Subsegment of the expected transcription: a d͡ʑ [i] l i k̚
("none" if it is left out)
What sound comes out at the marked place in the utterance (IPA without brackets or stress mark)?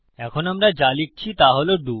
a